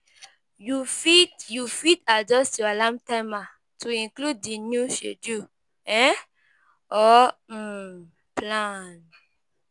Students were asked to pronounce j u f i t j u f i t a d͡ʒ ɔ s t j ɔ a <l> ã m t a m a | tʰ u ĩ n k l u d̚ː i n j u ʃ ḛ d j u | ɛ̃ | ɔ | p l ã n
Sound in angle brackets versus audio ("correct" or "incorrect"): correct